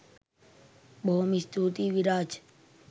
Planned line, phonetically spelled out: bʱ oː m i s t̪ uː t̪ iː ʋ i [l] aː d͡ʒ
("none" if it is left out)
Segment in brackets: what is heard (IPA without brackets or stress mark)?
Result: ɾ